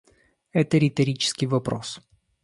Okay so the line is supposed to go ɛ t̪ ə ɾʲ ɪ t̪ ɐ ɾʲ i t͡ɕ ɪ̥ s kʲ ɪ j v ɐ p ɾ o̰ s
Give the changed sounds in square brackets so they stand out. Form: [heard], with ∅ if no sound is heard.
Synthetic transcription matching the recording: ɛ t̪ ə ɾʲ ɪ t̪ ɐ ɾʲ i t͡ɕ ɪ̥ s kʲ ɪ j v ɐ p ɾ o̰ s